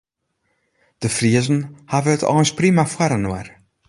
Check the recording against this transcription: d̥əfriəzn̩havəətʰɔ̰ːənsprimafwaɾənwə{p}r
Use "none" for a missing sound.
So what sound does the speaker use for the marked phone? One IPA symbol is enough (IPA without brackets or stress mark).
none